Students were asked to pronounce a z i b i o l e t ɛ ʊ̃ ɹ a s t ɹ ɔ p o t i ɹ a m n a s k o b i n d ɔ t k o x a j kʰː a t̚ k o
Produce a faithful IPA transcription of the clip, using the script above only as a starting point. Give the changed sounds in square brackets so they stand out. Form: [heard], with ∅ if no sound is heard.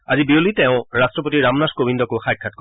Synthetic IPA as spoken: a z i b i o l [i] t ɛ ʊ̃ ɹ a s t ɹ ɔ p o t i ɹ a m n a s k o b i n d ɔ [∅] k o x a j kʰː a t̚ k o